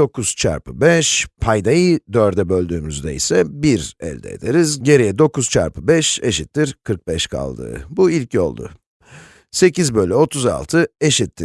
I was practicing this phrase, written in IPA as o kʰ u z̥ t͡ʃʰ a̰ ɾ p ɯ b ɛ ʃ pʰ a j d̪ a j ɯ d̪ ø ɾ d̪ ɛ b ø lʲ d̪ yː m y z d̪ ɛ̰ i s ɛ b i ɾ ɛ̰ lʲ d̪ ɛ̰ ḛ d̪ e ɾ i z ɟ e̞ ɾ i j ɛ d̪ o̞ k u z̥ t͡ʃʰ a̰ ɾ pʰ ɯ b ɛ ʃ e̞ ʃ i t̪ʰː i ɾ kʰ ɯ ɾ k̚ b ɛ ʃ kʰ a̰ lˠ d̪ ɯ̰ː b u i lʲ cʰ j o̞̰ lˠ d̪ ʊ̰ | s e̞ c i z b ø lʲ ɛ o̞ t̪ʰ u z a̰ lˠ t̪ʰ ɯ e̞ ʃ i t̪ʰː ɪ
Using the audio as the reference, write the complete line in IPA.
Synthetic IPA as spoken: o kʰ u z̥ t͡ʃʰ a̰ ɾ p ɯ b ɛ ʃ pʰ a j d̪ a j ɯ d̪ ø ɾ d̪ ɛ b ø lʲ d̪ yː m y z d̪ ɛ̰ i s ɛ b i ɾ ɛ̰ lʲ d̪ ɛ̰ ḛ d̪ e ɾ i z ɟ e̞ ɾ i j ɛ d̪ o̞ k u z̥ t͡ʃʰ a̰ ɾ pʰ ɯ b ɛ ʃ e̞ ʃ i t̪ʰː i ɾ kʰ ɯ ɾ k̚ b ɛ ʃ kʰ a̰ lˠ d̪ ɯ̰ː b u i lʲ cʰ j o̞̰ lˠ d̪ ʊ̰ | s e̞ c i z b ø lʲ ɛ o̞ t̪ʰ u z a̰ lˠ t̪ʰ ɯ e̞ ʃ i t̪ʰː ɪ